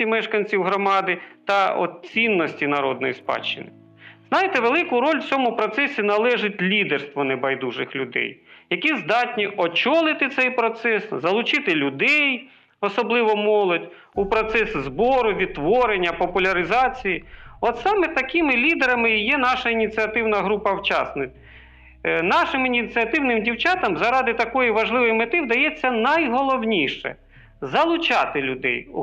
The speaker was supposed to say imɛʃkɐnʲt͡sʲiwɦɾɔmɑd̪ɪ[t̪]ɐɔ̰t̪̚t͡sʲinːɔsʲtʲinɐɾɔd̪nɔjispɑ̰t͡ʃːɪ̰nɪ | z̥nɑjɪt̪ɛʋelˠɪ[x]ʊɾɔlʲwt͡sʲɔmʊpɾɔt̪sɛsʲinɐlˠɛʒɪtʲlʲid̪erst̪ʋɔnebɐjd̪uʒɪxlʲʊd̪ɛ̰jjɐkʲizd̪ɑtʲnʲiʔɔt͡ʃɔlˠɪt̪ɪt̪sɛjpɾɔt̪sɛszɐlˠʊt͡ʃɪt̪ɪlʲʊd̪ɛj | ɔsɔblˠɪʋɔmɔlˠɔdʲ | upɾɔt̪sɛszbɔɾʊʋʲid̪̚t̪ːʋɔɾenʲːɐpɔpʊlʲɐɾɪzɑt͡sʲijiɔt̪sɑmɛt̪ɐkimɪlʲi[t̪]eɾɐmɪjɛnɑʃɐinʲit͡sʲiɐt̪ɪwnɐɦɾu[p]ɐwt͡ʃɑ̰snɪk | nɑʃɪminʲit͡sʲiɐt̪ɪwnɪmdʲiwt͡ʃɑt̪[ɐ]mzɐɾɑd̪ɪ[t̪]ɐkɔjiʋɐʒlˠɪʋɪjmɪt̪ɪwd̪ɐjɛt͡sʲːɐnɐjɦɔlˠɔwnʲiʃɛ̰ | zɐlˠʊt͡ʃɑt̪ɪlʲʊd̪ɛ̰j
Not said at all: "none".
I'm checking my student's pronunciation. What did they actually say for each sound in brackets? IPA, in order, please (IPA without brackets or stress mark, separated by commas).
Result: t̪, k, d̪, p, ɐ, t̪